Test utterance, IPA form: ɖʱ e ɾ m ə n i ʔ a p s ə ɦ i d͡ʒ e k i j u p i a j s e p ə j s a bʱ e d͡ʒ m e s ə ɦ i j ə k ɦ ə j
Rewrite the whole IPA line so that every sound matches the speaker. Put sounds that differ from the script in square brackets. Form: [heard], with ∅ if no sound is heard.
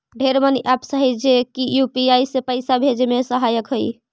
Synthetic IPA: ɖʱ e ɾ m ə n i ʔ a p s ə ɦ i d͡ʒ e k i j u p i a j s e p ə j s a bʱ e d͡ʒ m e s ə ɦ [a] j ə k ɦ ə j